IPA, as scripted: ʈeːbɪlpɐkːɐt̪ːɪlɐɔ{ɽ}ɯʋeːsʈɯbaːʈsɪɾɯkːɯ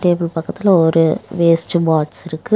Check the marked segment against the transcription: incorrect: ɾ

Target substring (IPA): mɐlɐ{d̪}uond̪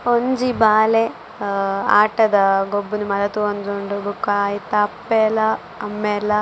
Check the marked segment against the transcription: incorrect: t̪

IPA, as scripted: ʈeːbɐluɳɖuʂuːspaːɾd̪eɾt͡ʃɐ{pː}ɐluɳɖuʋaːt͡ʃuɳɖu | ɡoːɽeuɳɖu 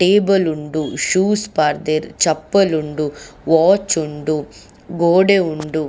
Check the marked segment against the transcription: correct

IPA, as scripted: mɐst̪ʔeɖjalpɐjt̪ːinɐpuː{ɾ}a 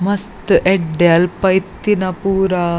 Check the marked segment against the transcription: correct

